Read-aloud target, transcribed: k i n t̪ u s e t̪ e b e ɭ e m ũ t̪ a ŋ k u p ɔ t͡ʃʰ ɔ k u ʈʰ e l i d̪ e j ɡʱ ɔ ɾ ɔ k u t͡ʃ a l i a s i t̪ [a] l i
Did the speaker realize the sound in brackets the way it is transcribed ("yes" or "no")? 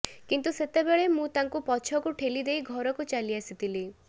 no